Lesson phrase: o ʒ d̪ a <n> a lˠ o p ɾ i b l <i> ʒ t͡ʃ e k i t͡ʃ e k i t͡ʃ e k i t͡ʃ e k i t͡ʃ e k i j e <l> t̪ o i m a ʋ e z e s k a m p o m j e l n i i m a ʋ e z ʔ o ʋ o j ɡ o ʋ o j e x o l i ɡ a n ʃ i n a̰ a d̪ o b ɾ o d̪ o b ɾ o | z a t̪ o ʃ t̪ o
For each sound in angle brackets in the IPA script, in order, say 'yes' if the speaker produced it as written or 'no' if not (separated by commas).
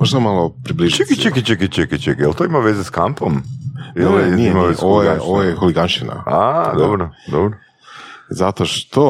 no, yes, yes